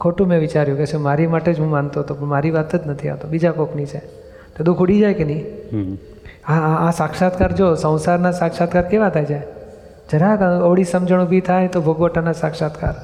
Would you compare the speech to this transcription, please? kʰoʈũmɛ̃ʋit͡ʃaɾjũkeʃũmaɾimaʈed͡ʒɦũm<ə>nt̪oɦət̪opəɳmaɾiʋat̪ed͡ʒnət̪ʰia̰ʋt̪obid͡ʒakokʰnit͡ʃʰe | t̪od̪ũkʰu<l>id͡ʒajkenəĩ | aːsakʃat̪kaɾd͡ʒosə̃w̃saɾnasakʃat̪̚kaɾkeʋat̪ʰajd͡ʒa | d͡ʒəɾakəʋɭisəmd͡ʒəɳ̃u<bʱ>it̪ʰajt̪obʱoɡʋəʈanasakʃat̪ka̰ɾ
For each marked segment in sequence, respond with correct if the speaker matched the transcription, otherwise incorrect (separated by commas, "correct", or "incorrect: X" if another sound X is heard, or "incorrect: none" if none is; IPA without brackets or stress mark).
incorrect: a, incorrect: ɽ, correct